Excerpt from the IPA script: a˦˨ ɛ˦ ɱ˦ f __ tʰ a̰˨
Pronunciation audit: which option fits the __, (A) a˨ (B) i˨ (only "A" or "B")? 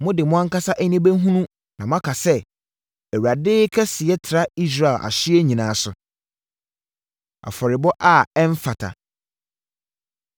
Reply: A